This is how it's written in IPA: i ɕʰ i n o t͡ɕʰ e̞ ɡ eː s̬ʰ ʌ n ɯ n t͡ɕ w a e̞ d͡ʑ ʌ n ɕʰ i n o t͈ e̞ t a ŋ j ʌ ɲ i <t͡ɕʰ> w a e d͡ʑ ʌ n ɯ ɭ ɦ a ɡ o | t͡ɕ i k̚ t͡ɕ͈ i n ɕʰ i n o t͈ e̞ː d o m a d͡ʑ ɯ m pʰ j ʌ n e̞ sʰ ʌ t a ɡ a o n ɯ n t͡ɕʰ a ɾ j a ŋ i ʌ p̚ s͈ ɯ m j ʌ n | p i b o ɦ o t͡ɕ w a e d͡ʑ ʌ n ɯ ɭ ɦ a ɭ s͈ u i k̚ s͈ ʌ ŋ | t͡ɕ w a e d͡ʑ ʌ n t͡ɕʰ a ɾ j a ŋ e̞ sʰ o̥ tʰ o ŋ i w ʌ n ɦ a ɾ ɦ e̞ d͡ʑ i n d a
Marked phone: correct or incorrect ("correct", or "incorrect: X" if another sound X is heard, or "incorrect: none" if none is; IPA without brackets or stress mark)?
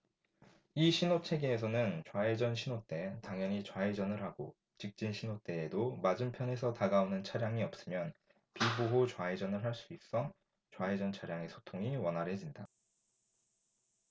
incorrect: t͡ɕ